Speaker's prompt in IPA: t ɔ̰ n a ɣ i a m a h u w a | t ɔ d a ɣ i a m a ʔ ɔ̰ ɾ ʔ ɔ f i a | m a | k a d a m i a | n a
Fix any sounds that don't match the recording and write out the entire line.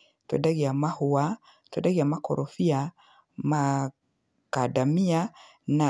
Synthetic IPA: t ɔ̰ d a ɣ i a m a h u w a | t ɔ d a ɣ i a m a k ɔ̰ ɾ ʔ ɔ f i a | m a | k a d a m i a | n a